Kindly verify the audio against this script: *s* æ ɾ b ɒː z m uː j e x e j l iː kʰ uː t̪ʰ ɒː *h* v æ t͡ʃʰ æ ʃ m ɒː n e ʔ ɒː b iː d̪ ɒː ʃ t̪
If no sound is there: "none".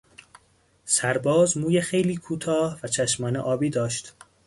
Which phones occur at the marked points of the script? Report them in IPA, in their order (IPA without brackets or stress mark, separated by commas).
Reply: s, h